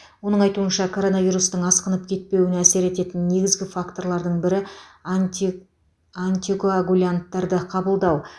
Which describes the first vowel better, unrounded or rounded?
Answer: rounded